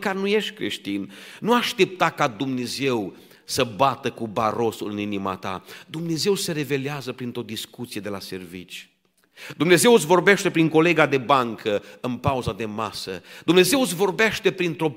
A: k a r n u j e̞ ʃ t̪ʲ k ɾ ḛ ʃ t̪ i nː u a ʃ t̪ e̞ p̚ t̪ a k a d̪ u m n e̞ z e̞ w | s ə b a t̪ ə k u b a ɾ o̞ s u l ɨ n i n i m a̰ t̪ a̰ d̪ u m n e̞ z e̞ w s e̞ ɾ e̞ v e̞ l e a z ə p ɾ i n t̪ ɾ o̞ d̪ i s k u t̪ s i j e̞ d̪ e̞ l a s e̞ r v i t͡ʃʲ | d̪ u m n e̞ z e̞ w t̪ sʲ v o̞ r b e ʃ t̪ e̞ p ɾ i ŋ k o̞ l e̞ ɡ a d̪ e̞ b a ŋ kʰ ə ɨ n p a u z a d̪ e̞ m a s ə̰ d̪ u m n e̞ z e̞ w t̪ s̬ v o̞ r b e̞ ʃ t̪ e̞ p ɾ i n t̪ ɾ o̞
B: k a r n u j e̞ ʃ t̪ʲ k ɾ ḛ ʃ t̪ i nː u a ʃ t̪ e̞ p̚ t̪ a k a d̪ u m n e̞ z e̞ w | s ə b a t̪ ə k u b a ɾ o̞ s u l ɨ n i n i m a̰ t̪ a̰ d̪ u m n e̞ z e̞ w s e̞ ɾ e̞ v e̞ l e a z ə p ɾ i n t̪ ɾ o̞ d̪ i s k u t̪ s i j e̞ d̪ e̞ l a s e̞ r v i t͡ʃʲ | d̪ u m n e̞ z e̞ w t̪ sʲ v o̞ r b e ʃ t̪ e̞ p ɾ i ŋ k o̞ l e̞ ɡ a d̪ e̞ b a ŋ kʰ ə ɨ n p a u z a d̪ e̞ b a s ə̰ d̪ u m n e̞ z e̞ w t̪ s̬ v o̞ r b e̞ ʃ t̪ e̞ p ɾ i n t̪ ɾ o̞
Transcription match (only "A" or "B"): A